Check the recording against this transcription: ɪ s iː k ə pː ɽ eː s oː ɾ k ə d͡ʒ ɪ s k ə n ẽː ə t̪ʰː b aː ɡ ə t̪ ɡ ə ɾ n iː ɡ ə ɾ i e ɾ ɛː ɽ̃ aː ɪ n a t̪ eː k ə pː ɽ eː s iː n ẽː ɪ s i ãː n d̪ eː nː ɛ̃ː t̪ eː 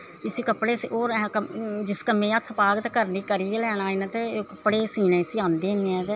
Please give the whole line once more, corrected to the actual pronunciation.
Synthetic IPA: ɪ s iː k ə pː ɽ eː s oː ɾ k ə d͡ʒ ɪ s k ə m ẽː ə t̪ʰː p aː ɡ ə t̪ k ə ɾ n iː k ə ɾ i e l ɛː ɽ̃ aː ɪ n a t̪ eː k ə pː ɽ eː s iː n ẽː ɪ s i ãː n d̪ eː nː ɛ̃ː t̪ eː